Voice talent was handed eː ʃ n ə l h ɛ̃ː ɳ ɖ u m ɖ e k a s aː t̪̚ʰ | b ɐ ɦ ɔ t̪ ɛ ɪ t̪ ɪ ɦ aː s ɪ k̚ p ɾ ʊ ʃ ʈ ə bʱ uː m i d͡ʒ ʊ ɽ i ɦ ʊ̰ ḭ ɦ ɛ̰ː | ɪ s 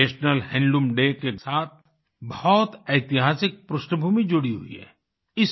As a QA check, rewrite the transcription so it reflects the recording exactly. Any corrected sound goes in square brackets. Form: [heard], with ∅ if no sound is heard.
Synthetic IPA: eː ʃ n ə l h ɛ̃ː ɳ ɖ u m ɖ e k [e] s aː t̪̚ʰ | b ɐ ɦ ɔ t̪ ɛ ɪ t̪ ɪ ɦ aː s ɪ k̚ p ɾ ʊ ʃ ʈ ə bʱ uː m i d͡ʒ ʊ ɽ i ɦ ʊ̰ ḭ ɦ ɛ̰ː | ɪ s